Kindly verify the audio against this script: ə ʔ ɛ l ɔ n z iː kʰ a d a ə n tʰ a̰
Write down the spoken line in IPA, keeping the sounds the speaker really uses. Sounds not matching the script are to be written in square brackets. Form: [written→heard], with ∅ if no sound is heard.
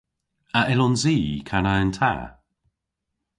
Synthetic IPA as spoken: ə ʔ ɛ l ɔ n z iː kʰ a [d→n] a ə n tʰ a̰